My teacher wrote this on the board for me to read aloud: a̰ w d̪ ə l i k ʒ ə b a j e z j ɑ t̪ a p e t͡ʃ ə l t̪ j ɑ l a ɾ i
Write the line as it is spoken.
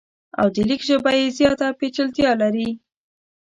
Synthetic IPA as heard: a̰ w d̪ ə l i k ʒ ə b a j e z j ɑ t̪ a p e t͡ʃ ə l t̪ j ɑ l a ɾ i